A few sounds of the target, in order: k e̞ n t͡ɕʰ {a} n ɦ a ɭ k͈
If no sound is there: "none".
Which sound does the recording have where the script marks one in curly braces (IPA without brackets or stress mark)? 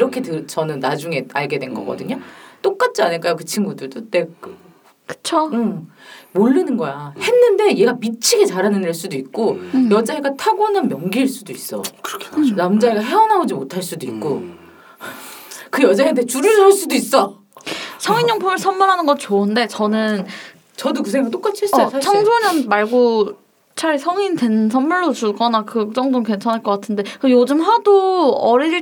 ʌ